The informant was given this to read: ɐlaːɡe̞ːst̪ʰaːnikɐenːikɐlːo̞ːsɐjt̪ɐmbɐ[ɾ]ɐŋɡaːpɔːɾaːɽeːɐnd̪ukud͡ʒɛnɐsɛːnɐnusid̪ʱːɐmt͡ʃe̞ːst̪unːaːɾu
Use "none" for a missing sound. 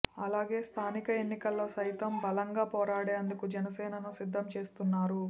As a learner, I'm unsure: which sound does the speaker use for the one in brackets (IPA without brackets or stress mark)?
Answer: l